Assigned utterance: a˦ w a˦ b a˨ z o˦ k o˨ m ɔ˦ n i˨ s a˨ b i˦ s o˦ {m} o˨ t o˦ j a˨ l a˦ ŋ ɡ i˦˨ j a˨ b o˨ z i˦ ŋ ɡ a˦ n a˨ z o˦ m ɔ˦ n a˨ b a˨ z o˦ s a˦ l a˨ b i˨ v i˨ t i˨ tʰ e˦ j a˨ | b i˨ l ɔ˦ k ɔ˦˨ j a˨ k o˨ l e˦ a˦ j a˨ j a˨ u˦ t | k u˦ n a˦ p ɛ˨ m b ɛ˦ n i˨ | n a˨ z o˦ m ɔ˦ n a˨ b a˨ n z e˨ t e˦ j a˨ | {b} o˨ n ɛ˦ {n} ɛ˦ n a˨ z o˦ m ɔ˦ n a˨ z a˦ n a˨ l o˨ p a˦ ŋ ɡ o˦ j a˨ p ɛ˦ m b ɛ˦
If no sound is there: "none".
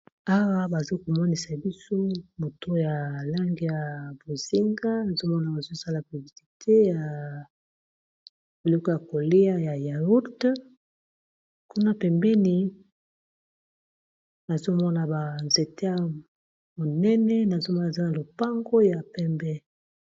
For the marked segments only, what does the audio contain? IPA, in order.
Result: m, m, n

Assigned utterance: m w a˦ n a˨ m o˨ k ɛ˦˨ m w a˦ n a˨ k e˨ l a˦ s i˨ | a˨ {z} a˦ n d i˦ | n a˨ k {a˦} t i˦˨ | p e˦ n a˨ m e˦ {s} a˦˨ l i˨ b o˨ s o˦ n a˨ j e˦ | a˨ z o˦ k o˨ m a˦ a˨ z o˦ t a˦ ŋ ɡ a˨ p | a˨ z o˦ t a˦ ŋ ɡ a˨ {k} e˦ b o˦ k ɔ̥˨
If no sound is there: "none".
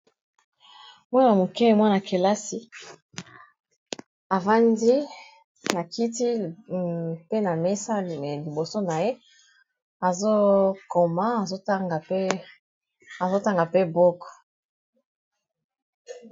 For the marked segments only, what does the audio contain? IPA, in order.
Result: v, i˦, s, p

